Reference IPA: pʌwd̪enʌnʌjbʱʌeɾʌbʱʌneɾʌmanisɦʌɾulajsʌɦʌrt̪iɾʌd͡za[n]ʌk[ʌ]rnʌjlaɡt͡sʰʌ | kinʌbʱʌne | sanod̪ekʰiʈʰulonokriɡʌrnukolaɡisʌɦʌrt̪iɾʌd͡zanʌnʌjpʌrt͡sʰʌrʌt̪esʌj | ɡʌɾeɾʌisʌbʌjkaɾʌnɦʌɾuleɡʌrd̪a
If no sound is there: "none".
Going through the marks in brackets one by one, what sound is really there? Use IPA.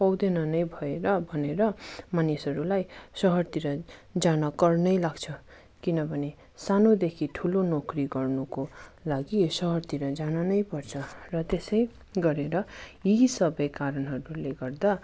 n, ʌ

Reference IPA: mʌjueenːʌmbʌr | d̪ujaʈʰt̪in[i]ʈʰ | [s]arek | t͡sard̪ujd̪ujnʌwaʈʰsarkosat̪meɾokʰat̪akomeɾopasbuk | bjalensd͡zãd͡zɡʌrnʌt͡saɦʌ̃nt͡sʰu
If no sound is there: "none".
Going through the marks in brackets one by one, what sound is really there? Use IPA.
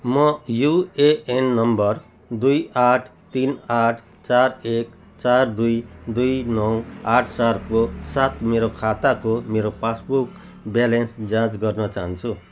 a, t͡s

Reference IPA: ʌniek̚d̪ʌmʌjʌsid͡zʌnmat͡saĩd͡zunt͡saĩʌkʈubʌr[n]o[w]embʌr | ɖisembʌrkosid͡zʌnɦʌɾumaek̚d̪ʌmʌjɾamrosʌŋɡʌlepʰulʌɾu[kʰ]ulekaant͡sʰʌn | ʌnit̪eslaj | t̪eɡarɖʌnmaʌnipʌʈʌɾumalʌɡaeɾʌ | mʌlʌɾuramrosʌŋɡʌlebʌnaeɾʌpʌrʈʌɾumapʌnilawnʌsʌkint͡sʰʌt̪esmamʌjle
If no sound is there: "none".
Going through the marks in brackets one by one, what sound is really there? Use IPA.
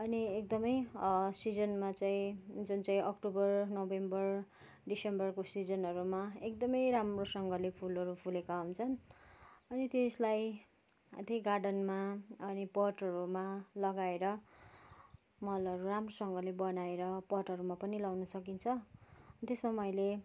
n, b, pʰ

